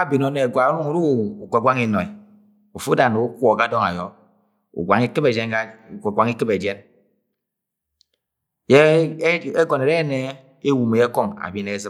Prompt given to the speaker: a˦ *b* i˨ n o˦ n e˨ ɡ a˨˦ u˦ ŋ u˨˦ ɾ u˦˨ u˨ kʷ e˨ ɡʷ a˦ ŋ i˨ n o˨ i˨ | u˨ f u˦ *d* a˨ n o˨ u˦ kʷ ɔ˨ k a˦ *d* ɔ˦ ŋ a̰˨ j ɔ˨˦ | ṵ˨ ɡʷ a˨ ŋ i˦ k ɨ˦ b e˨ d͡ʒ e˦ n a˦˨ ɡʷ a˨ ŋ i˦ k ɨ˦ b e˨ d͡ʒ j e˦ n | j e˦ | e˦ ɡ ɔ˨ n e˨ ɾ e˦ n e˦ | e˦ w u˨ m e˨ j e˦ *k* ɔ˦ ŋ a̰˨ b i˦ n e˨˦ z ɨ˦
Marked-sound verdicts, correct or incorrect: correct, correct, correct, correct

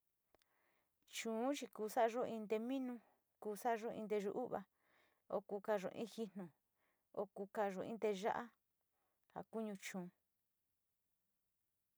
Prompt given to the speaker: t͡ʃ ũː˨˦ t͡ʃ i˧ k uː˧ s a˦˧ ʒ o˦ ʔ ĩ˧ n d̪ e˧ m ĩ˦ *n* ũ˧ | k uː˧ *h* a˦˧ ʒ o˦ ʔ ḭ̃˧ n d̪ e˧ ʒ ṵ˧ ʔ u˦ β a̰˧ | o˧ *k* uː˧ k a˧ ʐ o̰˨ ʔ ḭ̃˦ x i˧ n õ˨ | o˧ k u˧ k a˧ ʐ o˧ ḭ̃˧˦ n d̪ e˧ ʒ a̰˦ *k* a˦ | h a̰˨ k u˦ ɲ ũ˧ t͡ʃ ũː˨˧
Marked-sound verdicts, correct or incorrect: correct, incorrect, correct, incorrect

